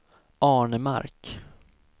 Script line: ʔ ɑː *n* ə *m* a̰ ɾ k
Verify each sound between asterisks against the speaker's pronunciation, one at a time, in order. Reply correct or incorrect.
incorrect: ɳ, correct

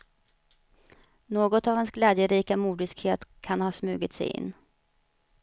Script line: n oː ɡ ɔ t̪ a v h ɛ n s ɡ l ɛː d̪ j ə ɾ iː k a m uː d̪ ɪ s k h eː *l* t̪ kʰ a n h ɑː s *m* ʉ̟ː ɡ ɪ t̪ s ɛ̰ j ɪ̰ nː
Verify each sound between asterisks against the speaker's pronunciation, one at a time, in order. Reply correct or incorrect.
incorrect: none, correct

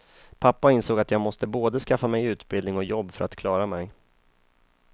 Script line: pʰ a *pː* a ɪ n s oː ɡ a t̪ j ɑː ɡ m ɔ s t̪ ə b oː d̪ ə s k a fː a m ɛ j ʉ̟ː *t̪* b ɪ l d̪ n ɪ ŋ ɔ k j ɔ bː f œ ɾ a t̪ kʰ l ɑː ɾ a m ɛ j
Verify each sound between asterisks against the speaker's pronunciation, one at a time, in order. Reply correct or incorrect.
correct, correct

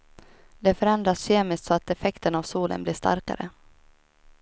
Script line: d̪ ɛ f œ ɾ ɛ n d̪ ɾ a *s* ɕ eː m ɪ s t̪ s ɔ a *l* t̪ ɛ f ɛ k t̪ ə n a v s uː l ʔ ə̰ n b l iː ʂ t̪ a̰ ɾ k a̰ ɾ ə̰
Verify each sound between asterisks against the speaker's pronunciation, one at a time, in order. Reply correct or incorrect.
correct, incorrect: none

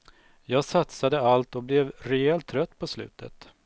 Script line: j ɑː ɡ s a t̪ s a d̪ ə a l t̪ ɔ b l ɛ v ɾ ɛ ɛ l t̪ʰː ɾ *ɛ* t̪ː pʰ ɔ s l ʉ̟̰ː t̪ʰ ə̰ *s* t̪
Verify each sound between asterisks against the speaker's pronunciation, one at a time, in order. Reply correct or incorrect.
incorrect: œ, incorrect: none

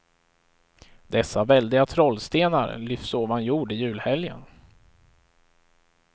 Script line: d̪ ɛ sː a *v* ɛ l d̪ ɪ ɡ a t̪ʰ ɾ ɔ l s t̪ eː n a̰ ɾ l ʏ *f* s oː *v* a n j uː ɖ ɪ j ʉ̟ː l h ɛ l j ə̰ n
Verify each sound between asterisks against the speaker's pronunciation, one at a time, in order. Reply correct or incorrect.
correct, correct, correct

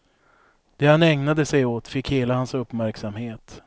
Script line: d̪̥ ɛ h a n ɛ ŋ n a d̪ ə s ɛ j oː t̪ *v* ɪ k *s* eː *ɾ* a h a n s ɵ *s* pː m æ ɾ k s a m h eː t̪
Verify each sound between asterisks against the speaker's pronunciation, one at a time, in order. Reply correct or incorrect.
incorrect: f, incorrect: h, incorrect: l, incorrect: none

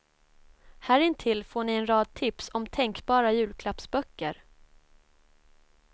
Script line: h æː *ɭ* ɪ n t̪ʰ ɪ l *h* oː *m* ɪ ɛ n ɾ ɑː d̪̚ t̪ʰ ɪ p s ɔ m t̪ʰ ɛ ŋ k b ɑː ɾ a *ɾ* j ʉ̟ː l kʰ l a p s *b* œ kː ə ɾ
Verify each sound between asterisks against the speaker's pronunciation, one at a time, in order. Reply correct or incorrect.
incorrect: ɾ, incorrect: f, incorrect: ɳ, incorrect: none, correct

